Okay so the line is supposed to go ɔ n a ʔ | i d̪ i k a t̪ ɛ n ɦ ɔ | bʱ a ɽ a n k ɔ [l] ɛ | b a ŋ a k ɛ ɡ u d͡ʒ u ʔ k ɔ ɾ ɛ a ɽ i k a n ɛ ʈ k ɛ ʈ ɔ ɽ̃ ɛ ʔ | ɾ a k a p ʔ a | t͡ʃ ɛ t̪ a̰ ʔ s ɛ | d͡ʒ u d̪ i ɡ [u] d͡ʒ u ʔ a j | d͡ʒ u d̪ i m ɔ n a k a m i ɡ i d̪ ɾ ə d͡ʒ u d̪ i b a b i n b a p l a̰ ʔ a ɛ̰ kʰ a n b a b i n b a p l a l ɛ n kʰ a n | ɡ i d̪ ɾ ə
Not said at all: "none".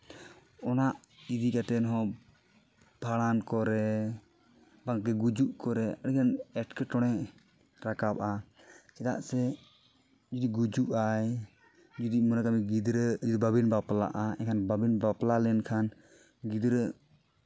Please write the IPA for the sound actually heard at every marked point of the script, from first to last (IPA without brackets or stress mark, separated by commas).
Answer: ɾ, u